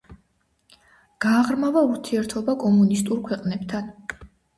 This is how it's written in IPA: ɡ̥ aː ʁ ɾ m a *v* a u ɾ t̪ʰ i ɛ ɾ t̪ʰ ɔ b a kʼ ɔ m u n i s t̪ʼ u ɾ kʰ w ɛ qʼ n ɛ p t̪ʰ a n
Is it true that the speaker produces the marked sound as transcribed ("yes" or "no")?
yes